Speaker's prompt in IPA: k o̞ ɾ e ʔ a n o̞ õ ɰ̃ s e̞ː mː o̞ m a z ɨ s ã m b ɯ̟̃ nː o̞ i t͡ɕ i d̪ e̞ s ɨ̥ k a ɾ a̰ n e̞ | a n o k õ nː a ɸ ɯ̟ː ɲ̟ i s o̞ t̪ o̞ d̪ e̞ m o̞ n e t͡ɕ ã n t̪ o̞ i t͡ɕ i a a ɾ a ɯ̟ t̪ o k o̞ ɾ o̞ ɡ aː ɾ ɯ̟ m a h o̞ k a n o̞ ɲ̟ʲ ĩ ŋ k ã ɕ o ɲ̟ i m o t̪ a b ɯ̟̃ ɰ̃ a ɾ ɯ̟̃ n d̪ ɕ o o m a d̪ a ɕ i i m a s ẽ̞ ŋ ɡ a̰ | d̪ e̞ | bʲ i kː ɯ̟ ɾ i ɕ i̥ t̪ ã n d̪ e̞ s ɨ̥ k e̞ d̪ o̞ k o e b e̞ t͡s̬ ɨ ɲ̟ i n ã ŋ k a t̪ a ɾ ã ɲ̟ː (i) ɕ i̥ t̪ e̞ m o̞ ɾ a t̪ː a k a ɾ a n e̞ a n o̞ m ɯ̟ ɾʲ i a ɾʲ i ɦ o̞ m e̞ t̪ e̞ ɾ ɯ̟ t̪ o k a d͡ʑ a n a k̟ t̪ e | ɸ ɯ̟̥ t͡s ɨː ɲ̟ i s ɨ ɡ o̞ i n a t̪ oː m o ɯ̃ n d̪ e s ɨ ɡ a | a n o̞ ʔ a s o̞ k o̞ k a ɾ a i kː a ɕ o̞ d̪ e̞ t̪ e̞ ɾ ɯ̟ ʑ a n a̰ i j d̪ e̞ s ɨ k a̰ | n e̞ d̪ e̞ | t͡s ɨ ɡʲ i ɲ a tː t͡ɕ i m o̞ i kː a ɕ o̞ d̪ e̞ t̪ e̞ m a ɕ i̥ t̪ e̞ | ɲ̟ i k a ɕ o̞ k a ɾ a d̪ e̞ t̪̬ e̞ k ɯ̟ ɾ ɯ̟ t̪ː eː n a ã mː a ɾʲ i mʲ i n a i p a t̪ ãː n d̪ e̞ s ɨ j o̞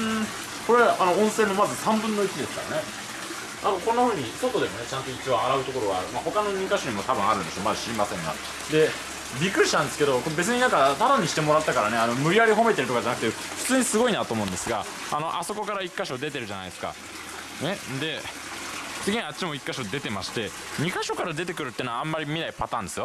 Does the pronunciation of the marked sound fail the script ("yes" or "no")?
no